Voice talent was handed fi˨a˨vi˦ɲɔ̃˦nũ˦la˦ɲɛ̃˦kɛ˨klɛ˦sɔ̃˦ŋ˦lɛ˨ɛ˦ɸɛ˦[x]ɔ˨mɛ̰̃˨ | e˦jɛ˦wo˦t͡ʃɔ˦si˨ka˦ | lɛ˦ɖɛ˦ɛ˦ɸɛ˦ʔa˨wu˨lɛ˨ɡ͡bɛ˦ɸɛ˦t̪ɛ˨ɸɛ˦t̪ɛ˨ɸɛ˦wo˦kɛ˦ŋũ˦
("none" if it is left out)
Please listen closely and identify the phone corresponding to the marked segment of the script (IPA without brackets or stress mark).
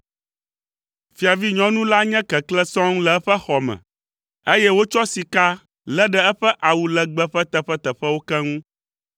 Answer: x